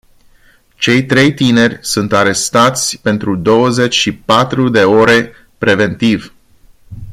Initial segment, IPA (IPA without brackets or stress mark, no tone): t͡ʃ